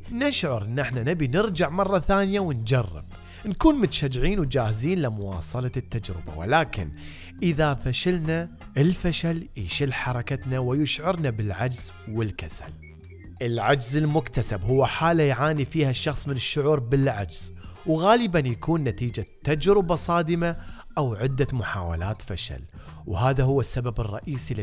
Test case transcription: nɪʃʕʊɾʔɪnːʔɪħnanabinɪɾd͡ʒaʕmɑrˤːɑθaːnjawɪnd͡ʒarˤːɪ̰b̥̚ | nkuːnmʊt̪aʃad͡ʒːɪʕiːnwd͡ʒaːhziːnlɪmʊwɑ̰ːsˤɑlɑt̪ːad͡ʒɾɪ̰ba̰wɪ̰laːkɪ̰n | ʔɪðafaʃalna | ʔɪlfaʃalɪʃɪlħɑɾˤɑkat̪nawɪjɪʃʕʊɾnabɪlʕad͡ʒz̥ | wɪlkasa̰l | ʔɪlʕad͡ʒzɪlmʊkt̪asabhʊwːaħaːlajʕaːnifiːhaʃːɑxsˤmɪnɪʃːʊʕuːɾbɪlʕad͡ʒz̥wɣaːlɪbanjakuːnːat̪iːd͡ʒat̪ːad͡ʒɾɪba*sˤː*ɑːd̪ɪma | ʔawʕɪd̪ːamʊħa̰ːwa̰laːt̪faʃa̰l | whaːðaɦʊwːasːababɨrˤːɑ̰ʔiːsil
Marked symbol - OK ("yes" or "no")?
no